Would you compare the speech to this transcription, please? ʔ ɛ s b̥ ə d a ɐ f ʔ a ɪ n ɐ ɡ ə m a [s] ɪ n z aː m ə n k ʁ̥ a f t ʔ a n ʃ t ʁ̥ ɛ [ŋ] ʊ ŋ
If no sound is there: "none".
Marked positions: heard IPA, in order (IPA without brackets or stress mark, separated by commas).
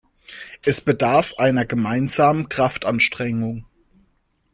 none, ŋ